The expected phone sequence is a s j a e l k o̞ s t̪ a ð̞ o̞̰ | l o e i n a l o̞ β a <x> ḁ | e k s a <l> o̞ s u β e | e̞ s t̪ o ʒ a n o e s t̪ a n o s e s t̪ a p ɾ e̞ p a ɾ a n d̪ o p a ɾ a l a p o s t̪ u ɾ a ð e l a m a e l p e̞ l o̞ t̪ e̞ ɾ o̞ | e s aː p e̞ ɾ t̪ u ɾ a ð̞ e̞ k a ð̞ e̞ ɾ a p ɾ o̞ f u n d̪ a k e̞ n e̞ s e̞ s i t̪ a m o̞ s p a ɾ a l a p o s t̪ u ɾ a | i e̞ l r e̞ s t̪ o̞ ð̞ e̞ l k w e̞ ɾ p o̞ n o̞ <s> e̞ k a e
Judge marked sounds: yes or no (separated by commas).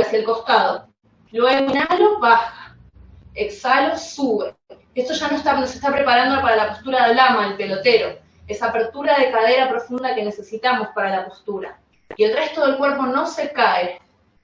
yes, yes, yes